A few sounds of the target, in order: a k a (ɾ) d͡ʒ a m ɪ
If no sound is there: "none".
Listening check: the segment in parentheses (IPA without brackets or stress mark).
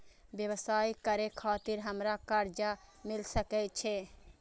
ɾ